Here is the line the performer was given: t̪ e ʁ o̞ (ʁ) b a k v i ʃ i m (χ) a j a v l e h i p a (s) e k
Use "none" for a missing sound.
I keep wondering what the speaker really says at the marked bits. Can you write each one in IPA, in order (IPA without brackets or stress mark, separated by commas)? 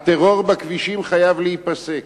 ʁ, χ, s